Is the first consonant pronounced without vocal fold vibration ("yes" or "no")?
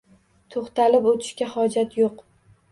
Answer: yes